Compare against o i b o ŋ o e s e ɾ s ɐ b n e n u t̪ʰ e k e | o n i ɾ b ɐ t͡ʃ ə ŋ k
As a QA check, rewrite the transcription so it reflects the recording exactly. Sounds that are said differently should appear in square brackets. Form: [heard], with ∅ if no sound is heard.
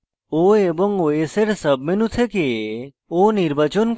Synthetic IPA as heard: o [e] b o ŋ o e s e ɾ s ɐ b [m] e n u t̪ʰ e k e | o n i ɾ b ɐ t͡ʃ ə [n] k